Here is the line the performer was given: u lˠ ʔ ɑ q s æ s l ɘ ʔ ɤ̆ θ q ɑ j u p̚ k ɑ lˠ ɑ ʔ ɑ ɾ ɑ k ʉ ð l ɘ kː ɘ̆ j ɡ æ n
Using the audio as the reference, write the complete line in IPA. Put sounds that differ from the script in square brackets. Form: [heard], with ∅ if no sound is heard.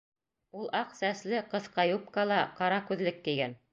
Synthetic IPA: u lˠ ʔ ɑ q s æ s l ɘ [q] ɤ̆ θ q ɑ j u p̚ k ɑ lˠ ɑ [q] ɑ ɾ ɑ k ʉ ð l ɘ kː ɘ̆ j ɡ æ n